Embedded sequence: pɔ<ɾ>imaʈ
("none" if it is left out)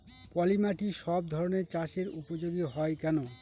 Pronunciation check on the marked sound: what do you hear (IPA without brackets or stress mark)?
l